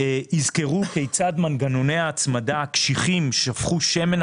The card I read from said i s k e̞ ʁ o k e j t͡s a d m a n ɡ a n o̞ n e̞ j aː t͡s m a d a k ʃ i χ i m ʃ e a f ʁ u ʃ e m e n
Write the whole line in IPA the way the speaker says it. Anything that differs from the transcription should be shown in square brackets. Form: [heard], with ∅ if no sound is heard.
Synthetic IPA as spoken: i [z] k e̞ ʁ [u] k e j t͡s a d m a n ɡ a n o̞ n e̞ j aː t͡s m a d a k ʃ i χ i m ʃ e a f [χ] u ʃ e m e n

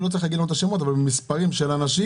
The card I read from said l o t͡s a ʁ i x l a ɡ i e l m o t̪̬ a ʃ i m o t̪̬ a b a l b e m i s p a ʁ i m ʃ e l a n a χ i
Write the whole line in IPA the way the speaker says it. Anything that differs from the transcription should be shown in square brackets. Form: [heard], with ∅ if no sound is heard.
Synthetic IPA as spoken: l o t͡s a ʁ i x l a ɡ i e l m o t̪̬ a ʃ [e] m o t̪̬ a [v] a l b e m i s p a ʁ i m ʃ e l a n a [ʃ] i

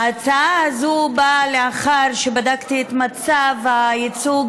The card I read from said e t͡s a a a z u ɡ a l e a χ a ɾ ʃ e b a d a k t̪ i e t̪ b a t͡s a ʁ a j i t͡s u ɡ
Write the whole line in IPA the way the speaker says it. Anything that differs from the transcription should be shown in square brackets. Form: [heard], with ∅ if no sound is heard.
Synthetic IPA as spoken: [a] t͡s a a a z u [b] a l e a χ a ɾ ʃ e b a d a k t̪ i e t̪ [m] a t͡s a [v] a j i t͡s u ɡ

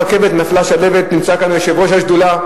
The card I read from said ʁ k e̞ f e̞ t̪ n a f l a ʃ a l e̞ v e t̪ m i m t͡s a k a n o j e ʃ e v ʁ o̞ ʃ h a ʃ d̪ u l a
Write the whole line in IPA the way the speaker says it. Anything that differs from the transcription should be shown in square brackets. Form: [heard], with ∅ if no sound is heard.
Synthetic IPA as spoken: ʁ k e̞ [v] e̞ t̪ n a f l a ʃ a l e̞ v e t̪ [n] i m t͡s a k a n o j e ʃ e v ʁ o̞ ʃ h a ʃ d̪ u l a

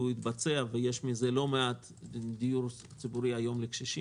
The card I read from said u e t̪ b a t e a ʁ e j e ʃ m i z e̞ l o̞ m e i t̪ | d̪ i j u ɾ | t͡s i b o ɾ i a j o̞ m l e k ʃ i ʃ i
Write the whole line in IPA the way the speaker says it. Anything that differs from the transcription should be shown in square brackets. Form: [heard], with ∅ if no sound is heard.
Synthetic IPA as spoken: u [i] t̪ b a [t͡s] e a [v] e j e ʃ m i z e̞ l o̞ m e [a] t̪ | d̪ i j u ɾ | t͡s i b [u] ɾ i a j o̞ m l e k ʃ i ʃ i

